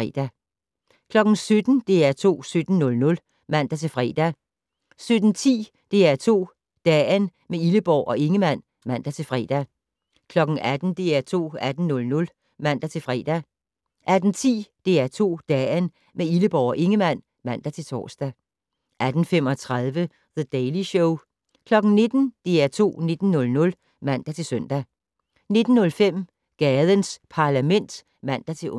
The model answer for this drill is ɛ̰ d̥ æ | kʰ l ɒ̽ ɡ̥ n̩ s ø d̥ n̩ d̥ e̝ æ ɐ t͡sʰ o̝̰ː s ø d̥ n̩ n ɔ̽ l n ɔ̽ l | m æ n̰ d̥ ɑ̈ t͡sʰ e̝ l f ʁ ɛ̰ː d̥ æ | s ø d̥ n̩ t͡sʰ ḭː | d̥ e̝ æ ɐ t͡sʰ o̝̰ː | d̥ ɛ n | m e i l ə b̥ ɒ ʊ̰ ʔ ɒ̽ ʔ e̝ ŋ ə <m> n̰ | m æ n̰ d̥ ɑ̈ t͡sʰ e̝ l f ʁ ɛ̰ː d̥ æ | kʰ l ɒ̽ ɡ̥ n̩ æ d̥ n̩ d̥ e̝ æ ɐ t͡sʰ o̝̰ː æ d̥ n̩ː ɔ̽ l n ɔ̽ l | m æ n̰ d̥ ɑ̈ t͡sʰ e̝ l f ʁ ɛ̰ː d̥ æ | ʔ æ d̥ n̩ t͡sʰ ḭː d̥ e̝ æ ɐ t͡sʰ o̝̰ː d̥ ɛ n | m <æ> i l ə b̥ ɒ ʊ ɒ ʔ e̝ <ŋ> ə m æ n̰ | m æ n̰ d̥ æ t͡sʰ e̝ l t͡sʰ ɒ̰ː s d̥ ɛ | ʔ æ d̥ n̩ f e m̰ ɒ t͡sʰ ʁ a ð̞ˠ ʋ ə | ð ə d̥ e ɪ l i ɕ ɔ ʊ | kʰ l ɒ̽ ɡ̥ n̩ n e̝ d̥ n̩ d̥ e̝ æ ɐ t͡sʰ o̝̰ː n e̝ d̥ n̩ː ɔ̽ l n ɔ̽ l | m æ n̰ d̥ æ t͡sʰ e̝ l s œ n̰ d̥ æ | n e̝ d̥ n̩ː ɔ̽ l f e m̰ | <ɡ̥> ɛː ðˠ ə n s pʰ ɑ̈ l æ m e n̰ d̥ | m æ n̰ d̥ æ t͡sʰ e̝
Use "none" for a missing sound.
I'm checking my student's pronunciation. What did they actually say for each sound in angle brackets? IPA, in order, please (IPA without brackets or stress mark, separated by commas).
m, e, ŋ, ɡ̥